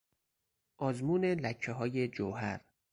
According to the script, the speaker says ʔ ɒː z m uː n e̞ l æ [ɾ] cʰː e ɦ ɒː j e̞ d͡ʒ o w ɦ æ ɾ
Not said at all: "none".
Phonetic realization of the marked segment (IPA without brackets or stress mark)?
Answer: none